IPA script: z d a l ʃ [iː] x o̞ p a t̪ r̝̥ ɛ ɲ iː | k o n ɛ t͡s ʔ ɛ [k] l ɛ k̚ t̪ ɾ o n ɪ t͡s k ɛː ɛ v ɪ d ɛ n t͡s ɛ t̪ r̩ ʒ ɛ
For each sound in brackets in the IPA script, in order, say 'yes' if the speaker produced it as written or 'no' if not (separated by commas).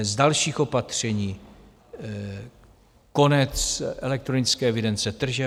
yes, no